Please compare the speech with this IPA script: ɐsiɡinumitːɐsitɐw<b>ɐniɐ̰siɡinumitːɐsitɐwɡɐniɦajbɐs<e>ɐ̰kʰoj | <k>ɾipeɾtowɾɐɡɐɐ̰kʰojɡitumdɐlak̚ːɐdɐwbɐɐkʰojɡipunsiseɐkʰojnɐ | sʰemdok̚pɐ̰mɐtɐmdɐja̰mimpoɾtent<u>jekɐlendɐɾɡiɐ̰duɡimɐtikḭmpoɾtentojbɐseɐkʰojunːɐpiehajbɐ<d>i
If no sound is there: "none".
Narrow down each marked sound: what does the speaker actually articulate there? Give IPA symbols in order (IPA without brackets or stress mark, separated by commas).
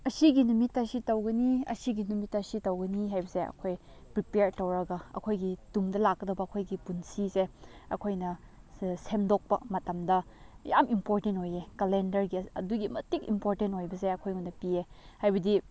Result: ɡ, e, p, o, d